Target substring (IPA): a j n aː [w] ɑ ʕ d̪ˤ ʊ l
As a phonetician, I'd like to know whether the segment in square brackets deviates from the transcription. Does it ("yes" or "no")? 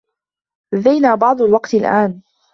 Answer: yes